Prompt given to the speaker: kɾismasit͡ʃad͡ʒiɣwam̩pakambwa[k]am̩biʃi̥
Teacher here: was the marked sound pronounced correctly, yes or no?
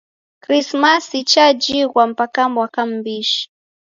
yes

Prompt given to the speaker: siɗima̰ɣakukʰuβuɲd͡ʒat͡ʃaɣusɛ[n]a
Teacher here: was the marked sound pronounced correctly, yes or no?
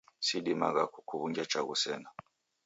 yes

